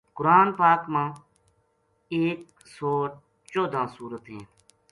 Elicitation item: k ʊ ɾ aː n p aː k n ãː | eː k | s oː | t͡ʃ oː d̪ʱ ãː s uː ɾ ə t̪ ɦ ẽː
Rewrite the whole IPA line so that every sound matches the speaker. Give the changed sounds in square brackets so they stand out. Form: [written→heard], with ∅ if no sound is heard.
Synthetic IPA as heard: k ʊ ɾ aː n p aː k [n→m] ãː | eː k | s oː | t͡ʃ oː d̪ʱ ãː s uː ɾ ə t̪ ɦ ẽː